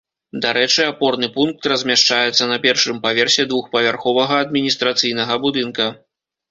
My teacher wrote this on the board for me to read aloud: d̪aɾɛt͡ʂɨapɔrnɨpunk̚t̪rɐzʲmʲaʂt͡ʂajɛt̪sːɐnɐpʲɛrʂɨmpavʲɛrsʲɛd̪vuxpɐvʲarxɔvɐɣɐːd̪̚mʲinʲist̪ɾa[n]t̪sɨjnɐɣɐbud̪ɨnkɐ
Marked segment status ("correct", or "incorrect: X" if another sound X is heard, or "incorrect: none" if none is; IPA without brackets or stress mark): incorrect: none